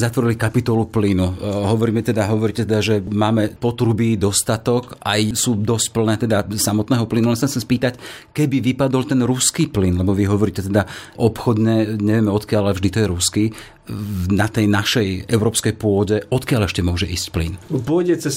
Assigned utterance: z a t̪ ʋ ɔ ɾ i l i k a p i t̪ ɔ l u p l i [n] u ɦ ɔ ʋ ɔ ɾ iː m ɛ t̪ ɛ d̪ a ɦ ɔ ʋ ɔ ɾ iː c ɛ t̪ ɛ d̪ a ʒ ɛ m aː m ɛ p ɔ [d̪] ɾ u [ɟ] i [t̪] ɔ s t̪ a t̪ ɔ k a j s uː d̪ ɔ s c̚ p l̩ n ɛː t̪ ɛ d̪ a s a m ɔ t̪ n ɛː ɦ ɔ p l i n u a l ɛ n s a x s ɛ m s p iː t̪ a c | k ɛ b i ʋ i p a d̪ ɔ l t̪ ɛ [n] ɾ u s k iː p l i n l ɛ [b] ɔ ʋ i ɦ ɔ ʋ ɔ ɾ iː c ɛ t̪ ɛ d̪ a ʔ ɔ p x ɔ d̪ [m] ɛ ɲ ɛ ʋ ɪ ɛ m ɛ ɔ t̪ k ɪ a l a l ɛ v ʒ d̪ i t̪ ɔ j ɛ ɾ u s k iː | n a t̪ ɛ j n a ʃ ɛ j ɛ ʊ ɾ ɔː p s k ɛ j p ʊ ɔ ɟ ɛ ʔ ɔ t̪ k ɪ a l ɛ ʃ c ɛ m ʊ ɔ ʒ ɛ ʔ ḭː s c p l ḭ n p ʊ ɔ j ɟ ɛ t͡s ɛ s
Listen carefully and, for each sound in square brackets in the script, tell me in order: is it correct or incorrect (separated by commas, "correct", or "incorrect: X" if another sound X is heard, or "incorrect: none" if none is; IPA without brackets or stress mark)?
correct, incorrect: t̪, incorrect: b, incorrect: d̪, correct, correct, incorrect: ɲ